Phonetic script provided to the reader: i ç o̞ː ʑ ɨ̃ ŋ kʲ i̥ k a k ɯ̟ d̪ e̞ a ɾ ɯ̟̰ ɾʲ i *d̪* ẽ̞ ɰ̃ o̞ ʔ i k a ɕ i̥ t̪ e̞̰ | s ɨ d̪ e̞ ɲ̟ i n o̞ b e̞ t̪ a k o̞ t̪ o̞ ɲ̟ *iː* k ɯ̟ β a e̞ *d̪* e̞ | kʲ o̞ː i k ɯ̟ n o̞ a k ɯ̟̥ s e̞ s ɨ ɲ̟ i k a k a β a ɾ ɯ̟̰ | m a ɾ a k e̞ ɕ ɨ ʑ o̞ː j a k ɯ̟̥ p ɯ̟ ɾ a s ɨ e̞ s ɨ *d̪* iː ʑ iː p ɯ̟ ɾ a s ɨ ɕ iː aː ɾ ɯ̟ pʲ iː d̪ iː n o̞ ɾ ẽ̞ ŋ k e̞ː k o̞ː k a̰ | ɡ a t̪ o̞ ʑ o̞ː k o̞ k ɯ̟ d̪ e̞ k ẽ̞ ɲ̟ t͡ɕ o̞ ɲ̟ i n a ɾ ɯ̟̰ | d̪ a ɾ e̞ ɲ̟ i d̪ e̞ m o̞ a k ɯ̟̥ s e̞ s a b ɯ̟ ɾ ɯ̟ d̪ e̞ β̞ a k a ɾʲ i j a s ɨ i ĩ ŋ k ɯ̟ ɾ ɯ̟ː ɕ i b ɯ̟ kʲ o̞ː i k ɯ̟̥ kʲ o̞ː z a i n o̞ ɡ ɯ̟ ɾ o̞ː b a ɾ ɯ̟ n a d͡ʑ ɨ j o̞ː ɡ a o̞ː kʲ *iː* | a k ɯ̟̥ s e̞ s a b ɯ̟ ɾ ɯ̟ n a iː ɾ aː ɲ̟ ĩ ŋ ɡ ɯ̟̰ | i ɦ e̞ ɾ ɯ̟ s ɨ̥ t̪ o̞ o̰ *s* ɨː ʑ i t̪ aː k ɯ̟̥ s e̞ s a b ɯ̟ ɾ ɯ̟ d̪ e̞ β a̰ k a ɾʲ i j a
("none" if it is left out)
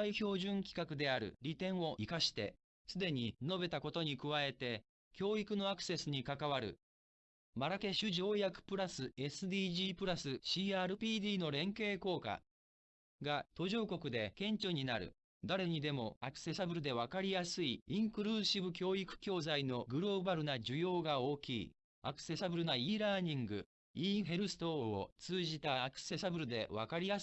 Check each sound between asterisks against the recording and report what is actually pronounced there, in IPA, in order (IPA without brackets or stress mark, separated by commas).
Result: t̪, i, t̪, d̪, iː, t͡s